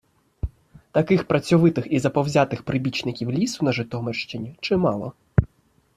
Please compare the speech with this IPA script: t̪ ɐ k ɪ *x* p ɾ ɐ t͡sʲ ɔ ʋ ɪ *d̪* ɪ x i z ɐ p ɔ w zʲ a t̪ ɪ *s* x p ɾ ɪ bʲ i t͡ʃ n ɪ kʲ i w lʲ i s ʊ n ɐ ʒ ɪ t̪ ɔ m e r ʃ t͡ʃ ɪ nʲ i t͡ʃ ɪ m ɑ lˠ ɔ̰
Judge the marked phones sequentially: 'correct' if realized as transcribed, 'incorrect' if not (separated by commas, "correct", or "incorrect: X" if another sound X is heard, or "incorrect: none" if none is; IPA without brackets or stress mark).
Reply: correct, incorrect: t̪, incorrect: none